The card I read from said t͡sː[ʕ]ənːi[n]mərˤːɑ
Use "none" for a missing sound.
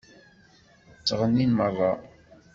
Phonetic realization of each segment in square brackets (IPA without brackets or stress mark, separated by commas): ʁ, n